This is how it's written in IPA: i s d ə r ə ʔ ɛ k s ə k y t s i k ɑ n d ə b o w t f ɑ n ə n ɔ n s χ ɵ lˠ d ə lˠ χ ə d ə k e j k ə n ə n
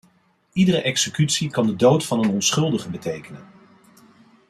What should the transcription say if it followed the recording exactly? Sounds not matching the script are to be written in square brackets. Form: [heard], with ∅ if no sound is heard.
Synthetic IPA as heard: i [∅] d ə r ə ʔ ɛ k s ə k y t s i k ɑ n d ə [d] o w t f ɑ n ə n ɔ n s χ ɵ lˠ d ə [∅] χ ə [b] ə [t] e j k ə n ə n